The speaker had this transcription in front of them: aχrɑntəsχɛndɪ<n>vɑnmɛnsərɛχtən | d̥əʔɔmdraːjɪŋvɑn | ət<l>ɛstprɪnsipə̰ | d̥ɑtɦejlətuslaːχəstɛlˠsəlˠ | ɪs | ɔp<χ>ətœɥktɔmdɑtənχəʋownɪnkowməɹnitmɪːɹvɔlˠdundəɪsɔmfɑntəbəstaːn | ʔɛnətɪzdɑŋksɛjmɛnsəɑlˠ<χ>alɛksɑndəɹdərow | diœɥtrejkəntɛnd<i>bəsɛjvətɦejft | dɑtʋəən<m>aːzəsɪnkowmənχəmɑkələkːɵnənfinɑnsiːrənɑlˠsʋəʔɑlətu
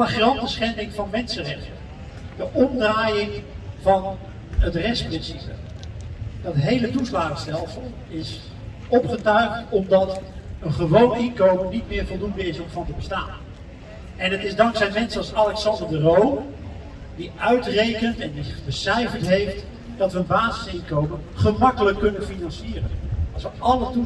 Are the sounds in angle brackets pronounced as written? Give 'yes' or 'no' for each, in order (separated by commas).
no, no, yes, no, yes, no